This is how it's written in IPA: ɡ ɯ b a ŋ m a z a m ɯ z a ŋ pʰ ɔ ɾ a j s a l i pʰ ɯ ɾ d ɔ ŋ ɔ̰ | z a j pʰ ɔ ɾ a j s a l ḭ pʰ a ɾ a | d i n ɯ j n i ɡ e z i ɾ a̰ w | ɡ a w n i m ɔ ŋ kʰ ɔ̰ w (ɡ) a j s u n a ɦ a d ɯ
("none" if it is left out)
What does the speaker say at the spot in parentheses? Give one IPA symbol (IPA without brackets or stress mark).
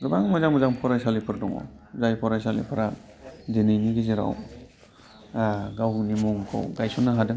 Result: ɡ